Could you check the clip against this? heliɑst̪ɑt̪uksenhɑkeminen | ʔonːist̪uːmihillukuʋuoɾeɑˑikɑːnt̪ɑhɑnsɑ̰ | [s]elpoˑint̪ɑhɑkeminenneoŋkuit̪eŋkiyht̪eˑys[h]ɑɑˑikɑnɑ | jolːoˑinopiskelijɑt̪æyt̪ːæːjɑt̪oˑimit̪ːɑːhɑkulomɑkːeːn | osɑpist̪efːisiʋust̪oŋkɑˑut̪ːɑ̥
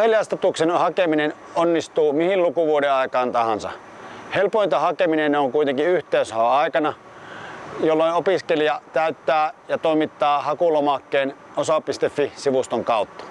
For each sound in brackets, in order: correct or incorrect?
incorrect: h, correct

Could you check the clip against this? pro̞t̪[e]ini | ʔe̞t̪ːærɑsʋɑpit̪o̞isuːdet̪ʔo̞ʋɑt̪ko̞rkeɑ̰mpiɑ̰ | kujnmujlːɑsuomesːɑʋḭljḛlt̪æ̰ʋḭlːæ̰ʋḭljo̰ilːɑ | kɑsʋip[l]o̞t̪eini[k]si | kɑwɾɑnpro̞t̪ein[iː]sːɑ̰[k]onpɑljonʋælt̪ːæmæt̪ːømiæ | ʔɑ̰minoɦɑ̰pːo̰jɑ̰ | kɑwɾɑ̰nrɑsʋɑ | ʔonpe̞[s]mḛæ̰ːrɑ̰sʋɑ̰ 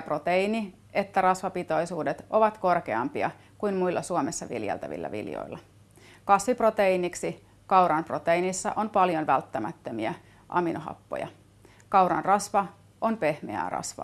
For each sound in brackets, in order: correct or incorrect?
correct, incorrect: r, correct, incorrect: i, incorrect: ʔ, incorrect: h

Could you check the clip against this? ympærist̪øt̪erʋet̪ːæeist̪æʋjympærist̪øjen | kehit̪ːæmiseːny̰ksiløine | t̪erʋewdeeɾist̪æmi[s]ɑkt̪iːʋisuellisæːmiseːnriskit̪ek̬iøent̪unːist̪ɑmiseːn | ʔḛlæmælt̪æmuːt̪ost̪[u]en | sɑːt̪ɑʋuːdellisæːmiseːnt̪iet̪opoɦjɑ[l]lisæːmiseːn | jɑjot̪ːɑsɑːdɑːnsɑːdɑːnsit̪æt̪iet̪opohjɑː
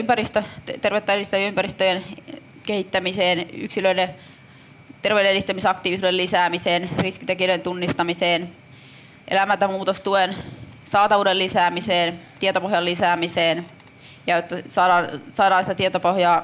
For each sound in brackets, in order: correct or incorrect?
correct, correct, correct

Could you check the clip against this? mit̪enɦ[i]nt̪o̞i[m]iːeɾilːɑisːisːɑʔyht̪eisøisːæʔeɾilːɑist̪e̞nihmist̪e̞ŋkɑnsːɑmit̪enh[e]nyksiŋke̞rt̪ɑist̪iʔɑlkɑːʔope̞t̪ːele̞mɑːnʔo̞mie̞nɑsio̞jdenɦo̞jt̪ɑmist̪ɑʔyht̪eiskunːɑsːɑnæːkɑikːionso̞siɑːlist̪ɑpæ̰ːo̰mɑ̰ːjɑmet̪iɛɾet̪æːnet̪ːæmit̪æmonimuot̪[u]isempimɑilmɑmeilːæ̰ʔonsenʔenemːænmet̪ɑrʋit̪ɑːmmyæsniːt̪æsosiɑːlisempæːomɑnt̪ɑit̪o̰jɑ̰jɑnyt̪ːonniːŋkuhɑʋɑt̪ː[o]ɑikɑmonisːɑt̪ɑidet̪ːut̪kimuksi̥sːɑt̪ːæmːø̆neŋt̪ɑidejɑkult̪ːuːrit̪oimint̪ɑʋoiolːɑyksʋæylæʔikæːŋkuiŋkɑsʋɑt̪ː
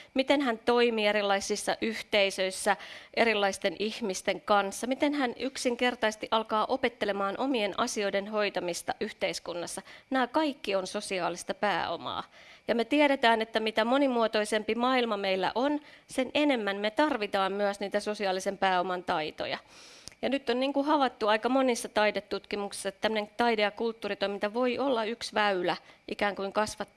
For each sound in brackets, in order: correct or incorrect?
incorrect: æ, correct, incorrect: æ, incorrect: o, incorrect: u

